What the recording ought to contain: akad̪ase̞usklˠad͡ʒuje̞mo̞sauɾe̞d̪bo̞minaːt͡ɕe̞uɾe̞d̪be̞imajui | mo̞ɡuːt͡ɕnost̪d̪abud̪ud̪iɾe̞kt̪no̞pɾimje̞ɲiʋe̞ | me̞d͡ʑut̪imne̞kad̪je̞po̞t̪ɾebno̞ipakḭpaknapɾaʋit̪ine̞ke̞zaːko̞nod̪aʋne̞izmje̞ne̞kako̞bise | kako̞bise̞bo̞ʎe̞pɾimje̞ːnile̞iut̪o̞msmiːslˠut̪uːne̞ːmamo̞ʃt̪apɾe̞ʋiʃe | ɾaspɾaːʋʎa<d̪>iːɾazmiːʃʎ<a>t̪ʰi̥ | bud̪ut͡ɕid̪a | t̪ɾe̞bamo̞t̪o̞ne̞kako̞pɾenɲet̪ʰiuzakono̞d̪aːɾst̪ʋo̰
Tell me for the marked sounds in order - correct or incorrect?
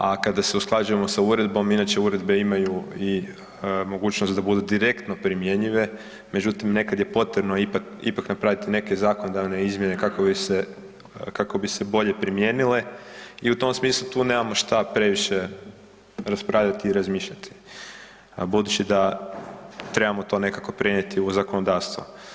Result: incorrect: t̪, correct

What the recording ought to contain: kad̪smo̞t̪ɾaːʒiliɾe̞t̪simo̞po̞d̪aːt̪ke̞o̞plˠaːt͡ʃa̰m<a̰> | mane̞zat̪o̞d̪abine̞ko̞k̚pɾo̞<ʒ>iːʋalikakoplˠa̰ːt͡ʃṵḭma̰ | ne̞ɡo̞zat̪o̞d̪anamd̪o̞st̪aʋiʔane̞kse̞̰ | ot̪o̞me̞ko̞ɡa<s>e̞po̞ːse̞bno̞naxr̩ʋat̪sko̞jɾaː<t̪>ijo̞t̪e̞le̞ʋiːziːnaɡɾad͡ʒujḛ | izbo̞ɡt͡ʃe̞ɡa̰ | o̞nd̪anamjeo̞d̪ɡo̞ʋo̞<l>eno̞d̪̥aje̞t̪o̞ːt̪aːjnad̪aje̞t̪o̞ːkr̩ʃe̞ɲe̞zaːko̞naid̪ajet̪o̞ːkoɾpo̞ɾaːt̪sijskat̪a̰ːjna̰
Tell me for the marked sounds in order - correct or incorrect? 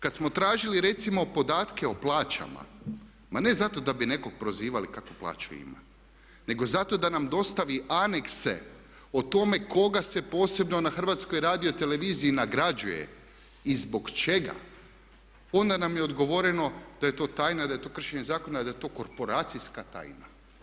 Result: correct, incorrect: z, correct, incorrect: d̪, incorrect: ɾ

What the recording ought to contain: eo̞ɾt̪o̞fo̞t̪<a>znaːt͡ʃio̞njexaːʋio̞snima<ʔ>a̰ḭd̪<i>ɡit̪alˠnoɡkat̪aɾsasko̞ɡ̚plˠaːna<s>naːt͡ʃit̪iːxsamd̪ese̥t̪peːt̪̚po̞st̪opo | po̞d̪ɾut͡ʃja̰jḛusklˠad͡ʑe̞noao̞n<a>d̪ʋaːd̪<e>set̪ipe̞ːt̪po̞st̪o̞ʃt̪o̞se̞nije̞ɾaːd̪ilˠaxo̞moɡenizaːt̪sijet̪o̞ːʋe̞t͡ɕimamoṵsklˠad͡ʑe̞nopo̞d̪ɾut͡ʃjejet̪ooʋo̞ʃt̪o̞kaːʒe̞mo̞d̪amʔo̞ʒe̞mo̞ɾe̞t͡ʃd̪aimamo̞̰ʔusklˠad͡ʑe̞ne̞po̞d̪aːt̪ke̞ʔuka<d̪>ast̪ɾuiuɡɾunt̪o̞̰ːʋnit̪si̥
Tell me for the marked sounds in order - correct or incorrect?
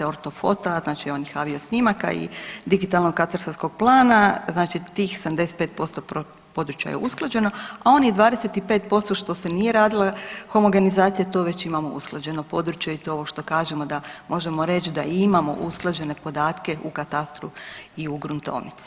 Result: correct, incorrect: k, correct, incorrect: z, incorrect: i, correct, incorrect: t̪

